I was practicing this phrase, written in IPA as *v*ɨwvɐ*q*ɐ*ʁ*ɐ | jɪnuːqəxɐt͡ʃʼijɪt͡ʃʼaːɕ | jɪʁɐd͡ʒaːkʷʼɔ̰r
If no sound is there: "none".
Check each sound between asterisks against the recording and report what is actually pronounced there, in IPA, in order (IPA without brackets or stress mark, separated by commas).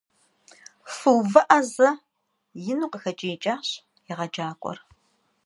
f, ʔ, z